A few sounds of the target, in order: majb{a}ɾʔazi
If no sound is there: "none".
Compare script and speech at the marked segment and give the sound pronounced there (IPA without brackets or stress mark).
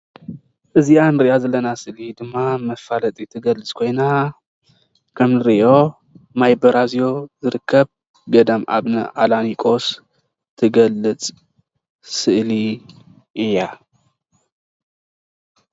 ɐ